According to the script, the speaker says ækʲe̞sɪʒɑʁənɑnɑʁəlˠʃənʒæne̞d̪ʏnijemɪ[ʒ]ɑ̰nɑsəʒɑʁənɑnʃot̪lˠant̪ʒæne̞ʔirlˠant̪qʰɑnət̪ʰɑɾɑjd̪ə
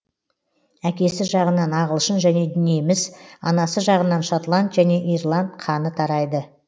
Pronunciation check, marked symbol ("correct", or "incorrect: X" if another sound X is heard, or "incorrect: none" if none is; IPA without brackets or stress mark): incorrect: z